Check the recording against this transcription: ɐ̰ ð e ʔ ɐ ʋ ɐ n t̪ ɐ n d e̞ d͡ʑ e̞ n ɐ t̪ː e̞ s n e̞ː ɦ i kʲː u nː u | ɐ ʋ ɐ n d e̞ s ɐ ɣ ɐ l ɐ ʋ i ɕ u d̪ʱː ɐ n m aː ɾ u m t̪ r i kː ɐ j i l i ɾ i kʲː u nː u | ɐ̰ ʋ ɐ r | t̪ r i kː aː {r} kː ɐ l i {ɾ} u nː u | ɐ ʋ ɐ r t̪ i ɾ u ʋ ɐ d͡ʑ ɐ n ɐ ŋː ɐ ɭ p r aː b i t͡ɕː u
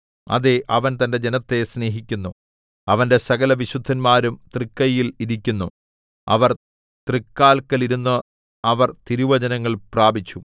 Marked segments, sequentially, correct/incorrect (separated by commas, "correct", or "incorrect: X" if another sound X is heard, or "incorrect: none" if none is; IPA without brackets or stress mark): incorrect: l, correct